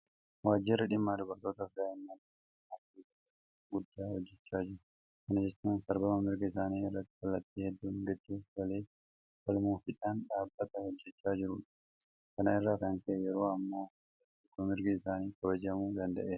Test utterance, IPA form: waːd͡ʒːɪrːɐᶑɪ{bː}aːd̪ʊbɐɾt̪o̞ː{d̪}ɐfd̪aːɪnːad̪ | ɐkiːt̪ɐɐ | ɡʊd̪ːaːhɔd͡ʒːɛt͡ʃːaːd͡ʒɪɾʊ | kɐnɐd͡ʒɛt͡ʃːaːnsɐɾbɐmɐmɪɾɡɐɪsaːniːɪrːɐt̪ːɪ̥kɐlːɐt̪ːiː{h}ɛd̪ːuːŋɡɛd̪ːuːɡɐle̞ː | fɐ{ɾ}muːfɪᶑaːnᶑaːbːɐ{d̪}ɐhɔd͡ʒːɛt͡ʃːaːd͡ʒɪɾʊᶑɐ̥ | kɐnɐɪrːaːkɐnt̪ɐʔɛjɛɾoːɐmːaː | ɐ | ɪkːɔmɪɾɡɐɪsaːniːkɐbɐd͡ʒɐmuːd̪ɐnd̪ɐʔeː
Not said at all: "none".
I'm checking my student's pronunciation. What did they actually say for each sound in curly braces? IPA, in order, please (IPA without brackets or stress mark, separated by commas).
mː, t̪, h, l, t̪